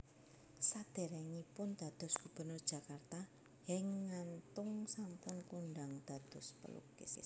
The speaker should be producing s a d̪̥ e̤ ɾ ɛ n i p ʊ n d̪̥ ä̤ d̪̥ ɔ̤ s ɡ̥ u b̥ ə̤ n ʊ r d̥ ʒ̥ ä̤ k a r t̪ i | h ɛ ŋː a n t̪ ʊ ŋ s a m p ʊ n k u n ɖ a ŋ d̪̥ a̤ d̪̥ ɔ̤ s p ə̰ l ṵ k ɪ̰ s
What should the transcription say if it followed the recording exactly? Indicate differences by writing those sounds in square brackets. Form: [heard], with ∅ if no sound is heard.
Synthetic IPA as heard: s a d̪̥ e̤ ɾ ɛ [ŋ] i p ʊ n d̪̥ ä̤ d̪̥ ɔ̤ s ɡ̥ u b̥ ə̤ n ʊ r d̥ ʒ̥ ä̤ k a r t̪ [a] | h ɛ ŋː a n t̪ ʊ ŋ s a m p ʊ n k u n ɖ a ŋ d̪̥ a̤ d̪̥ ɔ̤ s p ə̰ l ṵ k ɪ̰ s